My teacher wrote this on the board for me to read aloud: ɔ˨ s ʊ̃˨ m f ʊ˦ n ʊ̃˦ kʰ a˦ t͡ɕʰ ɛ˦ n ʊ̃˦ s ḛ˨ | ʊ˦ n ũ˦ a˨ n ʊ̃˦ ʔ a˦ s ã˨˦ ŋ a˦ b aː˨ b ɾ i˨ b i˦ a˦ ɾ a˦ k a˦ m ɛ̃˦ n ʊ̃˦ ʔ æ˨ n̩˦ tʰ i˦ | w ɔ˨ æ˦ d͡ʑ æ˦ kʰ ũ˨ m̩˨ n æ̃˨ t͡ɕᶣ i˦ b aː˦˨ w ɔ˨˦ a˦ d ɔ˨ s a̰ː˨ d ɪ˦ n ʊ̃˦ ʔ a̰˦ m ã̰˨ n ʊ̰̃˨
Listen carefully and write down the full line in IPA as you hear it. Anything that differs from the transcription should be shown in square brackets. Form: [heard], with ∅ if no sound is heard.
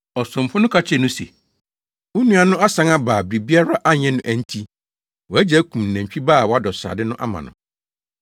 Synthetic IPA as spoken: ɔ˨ s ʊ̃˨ m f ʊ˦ n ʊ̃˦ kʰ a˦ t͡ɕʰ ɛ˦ n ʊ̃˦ s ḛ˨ | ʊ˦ n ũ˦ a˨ n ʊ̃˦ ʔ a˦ s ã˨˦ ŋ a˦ b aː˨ b ɾ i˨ b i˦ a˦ ɾ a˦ [ʔ] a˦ [ɲ] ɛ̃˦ n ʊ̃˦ ʔ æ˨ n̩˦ tʰ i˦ | w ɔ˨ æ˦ d͡ʑ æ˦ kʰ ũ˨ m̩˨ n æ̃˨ t͡ɕᶣ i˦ b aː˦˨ w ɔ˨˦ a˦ d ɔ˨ s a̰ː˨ d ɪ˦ n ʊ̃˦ ʔ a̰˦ m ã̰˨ n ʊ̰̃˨